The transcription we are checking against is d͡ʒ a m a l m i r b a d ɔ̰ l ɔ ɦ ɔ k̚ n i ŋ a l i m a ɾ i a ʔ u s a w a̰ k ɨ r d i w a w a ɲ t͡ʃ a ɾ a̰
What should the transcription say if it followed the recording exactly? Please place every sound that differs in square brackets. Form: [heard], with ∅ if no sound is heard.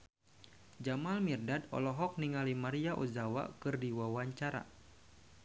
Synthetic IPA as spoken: d͡ʒ a m a l m i r [d] a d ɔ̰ l ɔ ɦ ɔ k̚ n i ŋ a l i m a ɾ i a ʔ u [z] a w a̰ k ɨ r d i w a w a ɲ t͡ʃ a ɾ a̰